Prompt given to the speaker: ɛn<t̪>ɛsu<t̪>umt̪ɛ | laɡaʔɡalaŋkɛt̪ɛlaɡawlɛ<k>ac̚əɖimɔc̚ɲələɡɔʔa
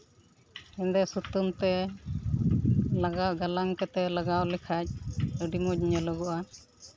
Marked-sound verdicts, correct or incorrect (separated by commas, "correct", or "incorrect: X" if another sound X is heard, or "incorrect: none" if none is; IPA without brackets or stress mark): incorrect: d̪, correct, incorrect: kʰ